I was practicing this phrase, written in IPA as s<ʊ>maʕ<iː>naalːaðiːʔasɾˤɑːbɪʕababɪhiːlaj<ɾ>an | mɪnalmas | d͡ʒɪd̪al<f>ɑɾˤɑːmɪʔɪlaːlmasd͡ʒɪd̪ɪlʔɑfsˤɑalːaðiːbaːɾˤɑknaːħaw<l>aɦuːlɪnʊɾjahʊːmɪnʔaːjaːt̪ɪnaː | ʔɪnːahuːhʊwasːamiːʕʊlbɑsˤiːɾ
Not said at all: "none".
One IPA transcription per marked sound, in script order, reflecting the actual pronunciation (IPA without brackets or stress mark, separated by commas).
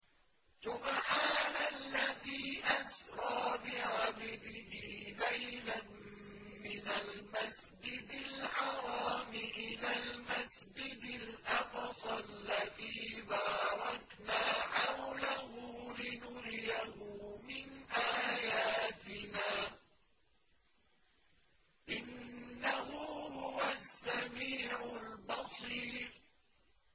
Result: ʊ, aː, l, ħ, l